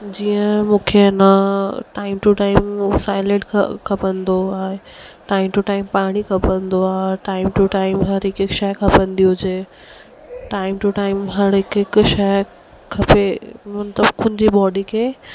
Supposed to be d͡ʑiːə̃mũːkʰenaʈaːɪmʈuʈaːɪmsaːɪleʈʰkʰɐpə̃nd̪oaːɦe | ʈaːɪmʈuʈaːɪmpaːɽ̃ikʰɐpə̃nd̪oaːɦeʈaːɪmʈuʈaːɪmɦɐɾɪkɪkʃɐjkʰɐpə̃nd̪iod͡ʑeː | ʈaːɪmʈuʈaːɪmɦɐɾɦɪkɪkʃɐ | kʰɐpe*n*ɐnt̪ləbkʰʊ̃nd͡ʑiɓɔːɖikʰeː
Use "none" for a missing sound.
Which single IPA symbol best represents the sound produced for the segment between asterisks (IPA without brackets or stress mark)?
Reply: m